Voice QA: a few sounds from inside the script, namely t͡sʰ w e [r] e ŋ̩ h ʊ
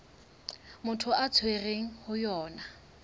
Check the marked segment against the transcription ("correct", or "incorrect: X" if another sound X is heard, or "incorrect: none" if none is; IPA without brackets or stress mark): correct